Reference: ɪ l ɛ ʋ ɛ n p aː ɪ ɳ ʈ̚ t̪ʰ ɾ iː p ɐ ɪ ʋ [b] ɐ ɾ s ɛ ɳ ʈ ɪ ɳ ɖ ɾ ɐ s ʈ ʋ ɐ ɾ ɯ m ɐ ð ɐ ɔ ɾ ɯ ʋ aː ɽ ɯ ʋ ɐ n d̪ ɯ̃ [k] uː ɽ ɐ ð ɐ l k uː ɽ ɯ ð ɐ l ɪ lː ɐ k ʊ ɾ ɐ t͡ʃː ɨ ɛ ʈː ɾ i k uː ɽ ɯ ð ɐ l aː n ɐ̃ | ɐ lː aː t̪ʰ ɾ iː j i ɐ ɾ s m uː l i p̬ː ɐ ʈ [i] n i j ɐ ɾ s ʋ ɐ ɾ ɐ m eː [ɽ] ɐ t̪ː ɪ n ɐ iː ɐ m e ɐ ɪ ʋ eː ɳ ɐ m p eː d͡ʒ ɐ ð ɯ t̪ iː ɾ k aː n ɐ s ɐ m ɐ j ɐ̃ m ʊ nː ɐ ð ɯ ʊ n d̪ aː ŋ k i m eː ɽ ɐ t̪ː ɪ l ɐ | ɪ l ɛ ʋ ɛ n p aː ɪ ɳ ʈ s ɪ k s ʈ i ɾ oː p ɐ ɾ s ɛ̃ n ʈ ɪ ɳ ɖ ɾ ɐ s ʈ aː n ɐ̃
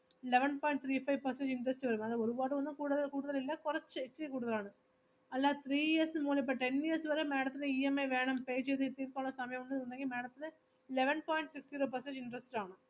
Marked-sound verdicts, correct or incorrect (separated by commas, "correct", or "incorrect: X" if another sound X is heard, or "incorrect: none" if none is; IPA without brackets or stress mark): incorrect: p, correct, incorrect: ɛ, correct